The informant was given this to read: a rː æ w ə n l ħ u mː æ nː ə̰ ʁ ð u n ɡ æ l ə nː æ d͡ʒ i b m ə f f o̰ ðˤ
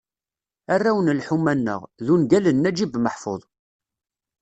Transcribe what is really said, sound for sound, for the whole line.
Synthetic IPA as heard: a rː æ w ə n l ħ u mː æ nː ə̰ ʁ ð u n ɡ æ l ə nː æ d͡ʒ i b m ə ħ f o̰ ðˤ